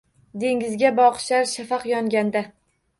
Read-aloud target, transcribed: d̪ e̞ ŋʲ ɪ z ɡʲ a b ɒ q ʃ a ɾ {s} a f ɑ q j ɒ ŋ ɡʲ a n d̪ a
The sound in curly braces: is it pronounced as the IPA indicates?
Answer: no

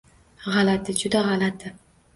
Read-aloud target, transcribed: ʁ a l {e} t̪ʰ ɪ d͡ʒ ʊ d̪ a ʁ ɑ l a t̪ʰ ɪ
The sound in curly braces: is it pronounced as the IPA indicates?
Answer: no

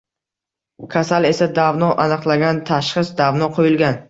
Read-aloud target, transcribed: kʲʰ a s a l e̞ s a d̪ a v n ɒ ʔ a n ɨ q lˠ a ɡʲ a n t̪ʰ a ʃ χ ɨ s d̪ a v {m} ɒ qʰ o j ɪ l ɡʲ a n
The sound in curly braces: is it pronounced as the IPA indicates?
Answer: no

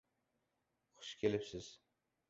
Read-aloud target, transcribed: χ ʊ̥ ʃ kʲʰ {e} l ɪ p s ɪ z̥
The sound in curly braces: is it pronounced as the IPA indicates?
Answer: yes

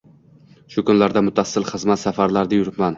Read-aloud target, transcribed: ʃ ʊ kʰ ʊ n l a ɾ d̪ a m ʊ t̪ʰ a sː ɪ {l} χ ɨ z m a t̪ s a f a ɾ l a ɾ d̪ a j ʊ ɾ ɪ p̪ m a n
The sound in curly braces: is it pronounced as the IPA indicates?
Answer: yes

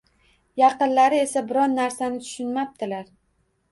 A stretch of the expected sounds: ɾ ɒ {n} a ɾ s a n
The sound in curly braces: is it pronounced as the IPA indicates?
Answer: no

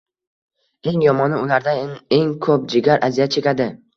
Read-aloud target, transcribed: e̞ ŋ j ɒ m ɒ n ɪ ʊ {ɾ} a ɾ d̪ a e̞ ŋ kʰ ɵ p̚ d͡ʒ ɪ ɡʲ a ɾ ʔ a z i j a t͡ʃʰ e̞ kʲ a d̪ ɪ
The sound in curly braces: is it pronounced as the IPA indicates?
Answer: no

